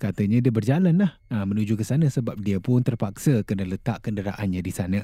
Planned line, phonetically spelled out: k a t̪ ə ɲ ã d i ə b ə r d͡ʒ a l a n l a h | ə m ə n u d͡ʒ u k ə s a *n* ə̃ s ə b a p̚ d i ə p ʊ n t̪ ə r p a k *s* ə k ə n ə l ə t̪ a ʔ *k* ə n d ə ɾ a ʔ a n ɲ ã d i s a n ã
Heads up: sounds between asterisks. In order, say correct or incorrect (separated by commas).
correct, correct, correct